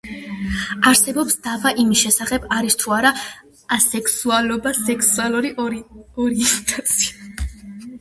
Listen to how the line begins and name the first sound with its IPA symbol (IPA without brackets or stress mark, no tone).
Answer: a